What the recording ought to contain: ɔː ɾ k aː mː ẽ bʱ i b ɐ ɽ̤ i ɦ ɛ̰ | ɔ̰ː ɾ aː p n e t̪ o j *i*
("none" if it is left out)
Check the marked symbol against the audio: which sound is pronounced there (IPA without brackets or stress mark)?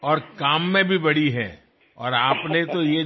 e